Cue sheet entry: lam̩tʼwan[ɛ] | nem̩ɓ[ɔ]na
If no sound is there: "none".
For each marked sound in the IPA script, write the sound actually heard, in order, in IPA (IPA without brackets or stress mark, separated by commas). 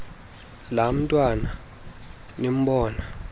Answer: a, ɔː